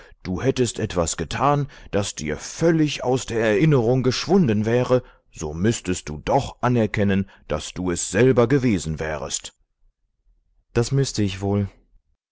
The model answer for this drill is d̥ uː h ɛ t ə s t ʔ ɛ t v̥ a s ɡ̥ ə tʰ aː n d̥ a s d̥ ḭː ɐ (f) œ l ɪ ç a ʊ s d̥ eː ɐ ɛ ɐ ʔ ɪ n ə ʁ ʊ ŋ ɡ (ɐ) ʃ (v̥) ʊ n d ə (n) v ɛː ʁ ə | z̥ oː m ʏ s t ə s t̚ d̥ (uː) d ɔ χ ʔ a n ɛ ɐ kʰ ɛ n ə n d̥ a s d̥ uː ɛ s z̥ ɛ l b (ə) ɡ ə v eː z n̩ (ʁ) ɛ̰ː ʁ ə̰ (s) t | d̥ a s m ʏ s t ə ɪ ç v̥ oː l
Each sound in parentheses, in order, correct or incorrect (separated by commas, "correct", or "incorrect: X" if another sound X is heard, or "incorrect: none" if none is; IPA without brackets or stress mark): correct, incorrect: ə, correct, correct, correct, incorrect: ɐ, incorrect: v, correct